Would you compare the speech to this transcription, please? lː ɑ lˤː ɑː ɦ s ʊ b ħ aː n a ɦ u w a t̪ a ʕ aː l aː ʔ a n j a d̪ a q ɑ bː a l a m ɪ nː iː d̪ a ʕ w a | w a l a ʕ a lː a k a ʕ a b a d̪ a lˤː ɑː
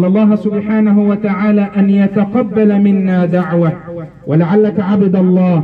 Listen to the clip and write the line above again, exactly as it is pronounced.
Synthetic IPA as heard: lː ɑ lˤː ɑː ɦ s ʊ b ħ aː n a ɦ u w a t̪ a ʕ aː l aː ʔ a n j a t̪ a q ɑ bː a l a m ɪ nː aː d̪ a ʕ w a | w a l a ʕ a lː a k a ʕ a b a d̪ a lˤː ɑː